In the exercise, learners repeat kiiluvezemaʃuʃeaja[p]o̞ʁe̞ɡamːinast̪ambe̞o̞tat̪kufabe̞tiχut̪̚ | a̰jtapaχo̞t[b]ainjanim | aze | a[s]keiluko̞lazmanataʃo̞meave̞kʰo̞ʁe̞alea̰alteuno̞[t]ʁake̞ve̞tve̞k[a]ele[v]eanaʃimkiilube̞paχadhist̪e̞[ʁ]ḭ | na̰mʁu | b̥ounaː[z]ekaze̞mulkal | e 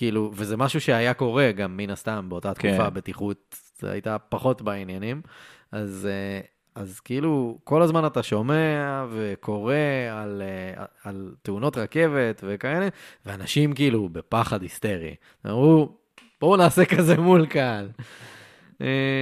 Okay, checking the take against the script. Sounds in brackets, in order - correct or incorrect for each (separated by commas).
incorrect, correct, incorrect, correct, correct, correct, correct, incorrect